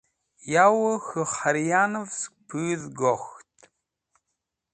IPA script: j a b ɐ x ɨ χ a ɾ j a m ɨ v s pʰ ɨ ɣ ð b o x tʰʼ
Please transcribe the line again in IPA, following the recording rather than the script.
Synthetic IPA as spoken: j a w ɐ x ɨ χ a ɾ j a n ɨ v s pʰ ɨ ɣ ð ɡ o x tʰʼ